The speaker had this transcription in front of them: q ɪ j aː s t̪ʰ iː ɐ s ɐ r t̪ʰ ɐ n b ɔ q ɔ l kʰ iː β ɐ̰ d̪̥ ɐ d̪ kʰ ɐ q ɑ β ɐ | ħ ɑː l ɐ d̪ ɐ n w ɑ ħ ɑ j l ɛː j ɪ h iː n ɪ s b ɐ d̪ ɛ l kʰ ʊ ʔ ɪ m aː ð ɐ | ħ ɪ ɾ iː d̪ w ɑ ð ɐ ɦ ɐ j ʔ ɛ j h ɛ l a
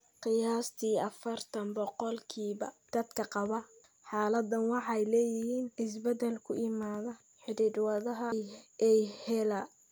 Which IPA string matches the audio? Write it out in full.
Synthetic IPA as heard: q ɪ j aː s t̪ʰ iː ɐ f ɐ r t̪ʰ ɐ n b ɔ q ɔ l kʰ iː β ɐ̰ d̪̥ ɐ d̪ kʰ ɐ q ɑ β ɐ | ħ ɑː l ɐ d̪ ɐ n w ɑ ħ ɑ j l ɛː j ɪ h iː n ɪ s b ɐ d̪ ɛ l kʰ ʊ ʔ ɪ m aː ð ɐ | ħ ɪ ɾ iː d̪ w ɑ ð ɐ ɦ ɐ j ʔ ɛ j h ɛ l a

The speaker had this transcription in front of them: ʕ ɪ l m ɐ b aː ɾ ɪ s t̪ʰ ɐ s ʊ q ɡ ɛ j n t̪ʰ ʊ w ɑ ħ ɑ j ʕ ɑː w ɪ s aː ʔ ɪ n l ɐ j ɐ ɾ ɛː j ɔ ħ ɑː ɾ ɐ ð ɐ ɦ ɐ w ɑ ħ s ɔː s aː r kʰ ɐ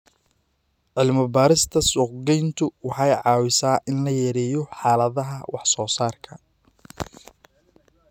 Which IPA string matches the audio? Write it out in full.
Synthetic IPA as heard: ʕ ɪ l m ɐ b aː ɾ ɪ s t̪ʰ ɐ s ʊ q ɡ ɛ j n t̪ʰ ʊ w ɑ ħ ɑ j ʕ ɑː w ɪ s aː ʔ ɪ n l ɐ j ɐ ɾ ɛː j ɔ ħ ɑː l ɐ ð ɐ ɦ ɐ w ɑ ħ s ɔː s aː r kʰ ɐ

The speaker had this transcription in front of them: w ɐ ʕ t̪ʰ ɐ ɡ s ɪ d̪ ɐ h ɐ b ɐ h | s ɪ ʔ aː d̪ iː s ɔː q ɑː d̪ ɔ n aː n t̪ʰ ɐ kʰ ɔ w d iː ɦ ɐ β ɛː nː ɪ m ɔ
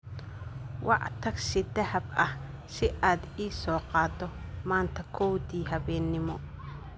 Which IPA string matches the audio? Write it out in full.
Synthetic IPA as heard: w ɑ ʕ t̪ʰ ɐ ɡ s ɪ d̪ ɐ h ɐ b ɐ h | s ɪ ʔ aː d̪ iː s ɔː q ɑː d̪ ɔ m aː n t̪ʰ ɐ kʰ ɔ w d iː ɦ ɐ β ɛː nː ɪ m ɔ

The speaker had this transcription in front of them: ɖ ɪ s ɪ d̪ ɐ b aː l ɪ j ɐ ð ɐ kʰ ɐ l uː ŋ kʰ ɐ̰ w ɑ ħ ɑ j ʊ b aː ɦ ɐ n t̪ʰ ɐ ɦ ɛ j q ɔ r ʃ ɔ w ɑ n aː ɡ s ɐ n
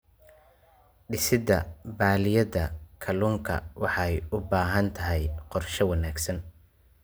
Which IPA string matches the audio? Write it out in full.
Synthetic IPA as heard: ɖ ɪ s ɪ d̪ ɐ b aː l ɪ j ɐ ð ɐ kʰ ɐ l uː ŋ kʰ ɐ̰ w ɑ ħ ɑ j ʊ b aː ɦ ɐ n t̪ʰ ɐ ɦ ɛ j q ɔ r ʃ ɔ w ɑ n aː ɡ s ɐ n

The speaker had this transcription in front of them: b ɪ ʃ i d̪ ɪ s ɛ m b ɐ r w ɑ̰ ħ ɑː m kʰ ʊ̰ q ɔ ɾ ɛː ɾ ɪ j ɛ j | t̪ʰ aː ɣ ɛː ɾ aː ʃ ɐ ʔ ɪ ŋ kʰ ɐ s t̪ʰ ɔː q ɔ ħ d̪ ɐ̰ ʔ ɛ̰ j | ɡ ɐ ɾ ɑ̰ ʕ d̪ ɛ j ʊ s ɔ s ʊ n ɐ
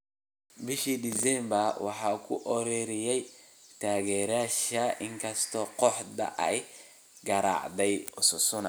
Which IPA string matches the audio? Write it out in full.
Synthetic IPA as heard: b ɪ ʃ i d̪ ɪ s ɛ m b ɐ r w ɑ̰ ħ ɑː kʰ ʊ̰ ʔ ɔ ɾ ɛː ɾ ɪ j ɛ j | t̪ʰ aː ɣ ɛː ɾ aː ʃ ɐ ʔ ɪ ŋ kʰ ɐ s t̪ʰ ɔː q ɔ ħ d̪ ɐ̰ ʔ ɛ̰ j | ɡ ɐ ɾ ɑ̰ ʕ d̪ ɛ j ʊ s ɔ s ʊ n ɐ

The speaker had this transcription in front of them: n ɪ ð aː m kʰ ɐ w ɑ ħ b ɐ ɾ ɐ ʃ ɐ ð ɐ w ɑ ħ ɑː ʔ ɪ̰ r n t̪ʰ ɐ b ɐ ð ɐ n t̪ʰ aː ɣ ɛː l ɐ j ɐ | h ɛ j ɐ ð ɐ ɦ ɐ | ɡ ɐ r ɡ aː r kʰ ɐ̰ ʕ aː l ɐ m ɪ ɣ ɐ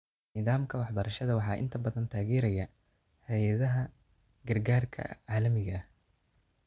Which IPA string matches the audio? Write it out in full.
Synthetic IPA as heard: n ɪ ð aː m kʰ ɐ w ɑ ħ b ɐ ɾ ɐ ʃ ɐ ð ɐ w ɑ ħ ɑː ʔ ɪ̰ n t̪ʰ ɐ b ɐ ð ɐ n t̪ʰ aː ɣ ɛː ɾ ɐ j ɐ | h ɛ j ɐ ð ɐ ɦ ɐ | ɡ ɐ r ɡ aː r kʰ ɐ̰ ʕ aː l ɐ m ɪ ɣ ɐ

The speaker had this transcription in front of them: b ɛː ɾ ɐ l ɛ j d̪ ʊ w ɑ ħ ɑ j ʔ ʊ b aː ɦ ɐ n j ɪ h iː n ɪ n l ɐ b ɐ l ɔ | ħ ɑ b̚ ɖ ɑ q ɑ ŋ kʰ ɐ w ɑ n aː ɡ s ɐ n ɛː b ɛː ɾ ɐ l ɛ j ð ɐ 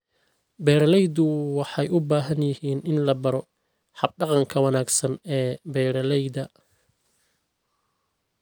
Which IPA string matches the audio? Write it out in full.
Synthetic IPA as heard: b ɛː ɾ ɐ l ɛ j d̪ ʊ w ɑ ħ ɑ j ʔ ʊ b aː ɦ ɐ n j ɪ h iː n ɪ n l ɐ b ɐ ɾ ɔ | ħ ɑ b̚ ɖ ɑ q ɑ ŋ kʰ ɐ w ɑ n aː ɡ s ɐ n ɛː b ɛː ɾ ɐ l ɛ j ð ɐ

